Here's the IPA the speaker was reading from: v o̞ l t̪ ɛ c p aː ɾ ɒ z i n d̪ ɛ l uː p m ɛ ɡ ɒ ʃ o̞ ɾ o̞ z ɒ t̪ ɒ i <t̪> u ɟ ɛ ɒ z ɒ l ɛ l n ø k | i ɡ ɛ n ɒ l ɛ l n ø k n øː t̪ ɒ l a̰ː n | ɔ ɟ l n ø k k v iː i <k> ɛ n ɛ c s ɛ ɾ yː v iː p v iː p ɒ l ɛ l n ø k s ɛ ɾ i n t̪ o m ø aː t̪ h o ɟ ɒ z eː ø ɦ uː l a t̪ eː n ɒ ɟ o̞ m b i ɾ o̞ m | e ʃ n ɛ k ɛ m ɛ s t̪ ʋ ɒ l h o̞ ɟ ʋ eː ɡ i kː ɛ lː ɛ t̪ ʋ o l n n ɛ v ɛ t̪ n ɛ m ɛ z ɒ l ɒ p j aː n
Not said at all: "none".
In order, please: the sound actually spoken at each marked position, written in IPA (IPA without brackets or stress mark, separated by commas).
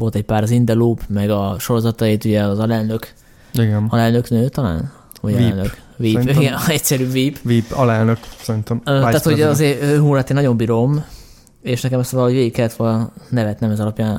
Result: t̪, ɡ